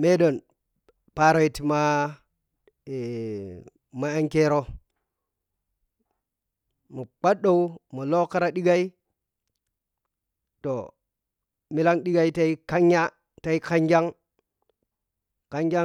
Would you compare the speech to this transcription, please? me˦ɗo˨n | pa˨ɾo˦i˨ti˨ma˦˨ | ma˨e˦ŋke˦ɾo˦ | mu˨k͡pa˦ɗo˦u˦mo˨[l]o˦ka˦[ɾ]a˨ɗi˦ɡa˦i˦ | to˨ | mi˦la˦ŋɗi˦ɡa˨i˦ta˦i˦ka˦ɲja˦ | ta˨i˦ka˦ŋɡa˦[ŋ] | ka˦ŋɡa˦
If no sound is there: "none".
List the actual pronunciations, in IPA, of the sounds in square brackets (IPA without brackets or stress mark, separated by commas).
l, ɾ, ŋ